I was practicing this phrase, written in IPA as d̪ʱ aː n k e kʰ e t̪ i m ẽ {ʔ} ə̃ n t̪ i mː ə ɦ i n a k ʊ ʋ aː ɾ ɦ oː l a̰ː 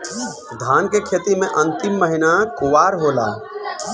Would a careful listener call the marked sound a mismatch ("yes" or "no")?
no